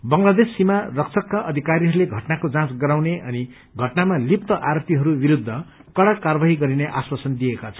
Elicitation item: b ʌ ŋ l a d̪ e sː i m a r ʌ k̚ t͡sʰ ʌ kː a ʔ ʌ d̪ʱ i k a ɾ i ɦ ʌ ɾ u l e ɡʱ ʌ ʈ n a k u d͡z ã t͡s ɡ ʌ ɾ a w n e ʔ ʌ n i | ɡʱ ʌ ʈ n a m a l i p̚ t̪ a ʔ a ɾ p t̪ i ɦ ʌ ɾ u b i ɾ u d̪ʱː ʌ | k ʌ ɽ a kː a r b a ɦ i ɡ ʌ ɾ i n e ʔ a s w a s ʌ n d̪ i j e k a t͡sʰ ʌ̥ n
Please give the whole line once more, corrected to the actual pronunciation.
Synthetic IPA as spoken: b ʌ ŋ l a d̪ e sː i m a r ʌ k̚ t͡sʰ ʌ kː a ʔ ʌ d̪ʱ i k a ɾ i ɦ ʌ ɾ u l e ɡʱ ʌ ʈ n a k o d͡z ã t͡s ɡ ʌ ɾ a w n e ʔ ʌ n i | ɡʱ ʌ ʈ n a m a l i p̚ t̪ ʌ ʔ a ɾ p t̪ i ɦ ʌ ɾ u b i ɾ u d̪ʱː ʌ | k ʌ ɽ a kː a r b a ɦ i ɡ ʌ ɾ i n e ʔ a s w a s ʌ n d̪ i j e k a t͡sʰ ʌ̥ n